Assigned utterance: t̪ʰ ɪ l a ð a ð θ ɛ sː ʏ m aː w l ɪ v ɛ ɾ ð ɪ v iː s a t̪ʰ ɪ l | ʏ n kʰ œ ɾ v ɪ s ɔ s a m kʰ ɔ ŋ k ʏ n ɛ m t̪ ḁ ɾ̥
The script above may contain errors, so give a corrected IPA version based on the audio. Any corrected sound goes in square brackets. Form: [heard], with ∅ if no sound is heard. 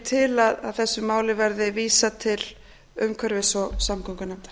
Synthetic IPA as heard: t̪ʰ ɪ l a ð a ð θ ɛ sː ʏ m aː w l ɪ v ɛ ɾ ð ɪ v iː s a t̪ʰ ɪ l | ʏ [m] kʰ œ ɾ v ɪ s ɔ s a m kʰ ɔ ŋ k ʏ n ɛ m t̪ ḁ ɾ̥